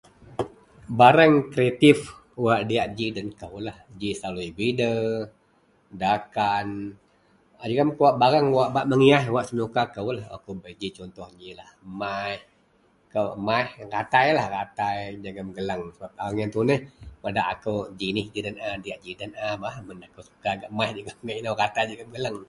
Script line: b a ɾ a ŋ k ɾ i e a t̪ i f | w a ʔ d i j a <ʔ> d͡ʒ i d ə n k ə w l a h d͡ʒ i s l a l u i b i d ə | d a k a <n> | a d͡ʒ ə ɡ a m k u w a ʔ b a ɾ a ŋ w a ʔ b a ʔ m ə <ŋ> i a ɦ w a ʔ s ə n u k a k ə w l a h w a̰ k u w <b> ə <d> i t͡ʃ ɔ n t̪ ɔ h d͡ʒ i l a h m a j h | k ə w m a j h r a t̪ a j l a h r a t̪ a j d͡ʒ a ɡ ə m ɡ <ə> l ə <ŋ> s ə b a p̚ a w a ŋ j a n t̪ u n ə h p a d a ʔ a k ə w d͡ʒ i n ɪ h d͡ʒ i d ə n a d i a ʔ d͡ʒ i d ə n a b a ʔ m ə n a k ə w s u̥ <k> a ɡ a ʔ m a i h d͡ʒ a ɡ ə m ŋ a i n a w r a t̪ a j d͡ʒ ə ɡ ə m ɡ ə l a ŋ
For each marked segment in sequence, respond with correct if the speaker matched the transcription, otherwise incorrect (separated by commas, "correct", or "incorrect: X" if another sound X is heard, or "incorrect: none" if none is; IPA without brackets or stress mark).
correct, correct, correct, correct, incorrect: d͡ʒ, correct, correct, correct